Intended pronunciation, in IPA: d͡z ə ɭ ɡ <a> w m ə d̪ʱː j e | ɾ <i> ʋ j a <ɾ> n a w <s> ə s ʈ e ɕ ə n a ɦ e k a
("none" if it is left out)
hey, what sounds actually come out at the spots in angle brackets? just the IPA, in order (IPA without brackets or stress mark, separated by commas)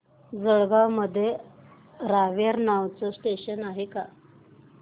a, a, ɾ, t͡s